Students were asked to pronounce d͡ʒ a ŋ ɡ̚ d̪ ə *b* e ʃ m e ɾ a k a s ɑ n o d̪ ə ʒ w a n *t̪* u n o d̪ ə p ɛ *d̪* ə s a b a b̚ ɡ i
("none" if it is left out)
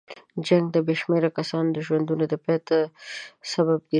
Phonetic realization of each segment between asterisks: b, d̪, t̪

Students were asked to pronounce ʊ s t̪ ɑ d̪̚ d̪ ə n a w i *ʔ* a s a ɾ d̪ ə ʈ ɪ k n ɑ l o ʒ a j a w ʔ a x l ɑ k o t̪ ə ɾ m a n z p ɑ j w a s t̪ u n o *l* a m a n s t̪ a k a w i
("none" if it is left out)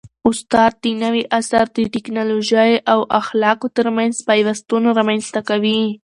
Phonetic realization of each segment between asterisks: ʔ, ɾ

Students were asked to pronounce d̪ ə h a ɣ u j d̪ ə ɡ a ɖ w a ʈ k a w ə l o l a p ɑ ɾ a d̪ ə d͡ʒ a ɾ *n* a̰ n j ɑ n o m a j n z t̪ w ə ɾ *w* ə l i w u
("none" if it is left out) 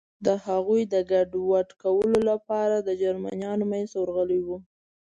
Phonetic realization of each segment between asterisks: m, ɣ

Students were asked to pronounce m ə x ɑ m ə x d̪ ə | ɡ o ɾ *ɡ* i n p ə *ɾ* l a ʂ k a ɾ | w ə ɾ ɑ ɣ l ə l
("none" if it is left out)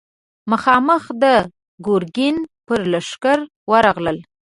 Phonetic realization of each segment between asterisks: ɡ, ɾ

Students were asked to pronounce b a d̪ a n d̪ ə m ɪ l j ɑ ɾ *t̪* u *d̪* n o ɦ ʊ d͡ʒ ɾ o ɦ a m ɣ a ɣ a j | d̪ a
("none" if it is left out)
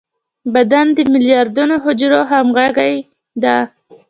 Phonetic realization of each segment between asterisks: d̪, none

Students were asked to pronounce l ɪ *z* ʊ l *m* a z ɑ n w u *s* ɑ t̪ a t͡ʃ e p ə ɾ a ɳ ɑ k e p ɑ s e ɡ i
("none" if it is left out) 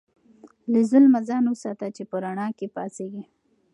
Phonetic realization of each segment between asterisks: z, m, s

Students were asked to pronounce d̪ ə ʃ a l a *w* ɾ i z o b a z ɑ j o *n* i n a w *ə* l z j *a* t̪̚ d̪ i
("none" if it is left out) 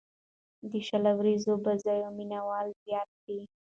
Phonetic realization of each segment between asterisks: w, m, ɑ, ɑ

